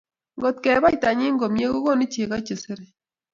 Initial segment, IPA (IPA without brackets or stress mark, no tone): ŋ